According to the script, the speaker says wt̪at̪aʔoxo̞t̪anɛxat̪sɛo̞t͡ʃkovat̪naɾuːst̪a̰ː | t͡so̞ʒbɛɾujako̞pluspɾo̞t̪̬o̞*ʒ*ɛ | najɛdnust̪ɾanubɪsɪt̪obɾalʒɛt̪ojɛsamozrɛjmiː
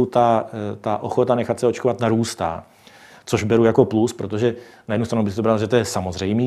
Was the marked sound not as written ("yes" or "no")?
no